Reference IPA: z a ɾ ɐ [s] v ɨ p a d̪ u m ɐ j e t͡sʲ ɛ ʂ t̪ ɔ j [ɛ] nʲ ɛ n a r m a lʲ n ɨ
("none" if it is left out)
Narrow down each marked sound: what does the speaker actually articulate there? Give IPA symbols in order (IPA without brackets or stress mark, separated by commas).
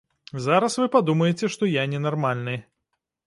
s, a